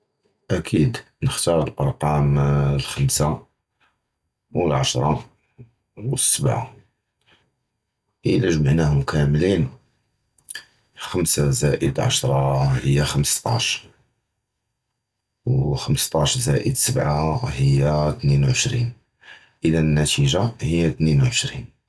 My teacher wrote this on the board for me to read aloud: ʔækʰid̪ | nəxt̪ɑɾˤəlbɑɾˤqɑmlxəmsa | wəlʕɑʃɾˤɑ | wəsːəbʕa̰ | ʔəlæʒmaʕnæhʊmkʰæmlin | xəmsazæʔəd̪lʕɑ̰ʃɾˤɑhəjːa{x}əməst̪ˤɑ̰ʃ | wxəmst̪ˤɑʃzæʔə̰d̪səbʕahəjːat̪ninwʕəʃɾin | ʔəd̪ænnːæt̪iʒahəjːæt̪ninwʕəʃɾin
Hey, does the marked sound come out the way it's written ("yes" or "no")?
yes